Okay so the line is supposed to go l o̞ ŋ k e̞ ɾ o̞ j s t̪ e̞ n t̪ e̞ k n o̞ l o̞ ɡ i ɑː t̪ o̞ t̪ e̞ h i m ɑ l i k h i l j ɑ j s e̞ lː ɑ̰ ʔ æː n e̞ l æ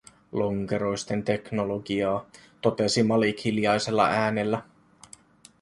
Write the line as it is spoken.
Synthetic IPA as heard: l o̞ ŋ k e̞ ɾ o̞ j s t̪ e̞ n t̪ e̞ k n o̞ l o̞ ɡ i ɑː t̪ o̞ t̪ e̞ s i m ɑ l i k h i l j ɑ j s e̞ lː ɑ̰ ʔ æː n e̞ lː æ